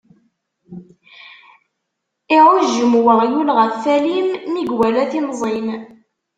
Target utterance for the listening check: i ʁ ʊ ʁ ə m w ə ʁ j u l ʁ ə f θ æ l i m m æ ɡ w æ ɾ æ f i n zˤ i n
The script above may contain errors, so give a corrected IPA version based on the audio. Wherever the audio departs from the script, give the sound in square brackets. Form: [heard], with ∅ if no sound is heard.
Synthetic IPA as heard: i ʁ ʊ [ʒ] ə m w ə ʁ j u l ʁ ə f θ æ l i m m [i] ɡ w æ [l] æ [θ] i n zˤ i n